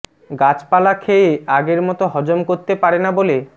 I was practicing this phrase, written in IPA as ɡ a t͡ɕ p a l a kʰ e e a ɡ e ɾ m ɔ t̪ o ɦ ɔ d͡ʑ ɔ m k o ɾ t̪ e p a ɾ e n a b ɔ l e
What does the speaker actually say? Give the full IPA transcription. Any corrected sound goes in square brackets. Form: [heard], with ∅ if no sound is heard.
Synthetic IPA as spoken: ɡ a t͡ɕ p a l a kʰ e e a ɡ e ɾ m ɔ t̪ o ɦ ɔ d͡ʑ [o] m k o ɾ t̪ e p a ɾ e n a b [o] l e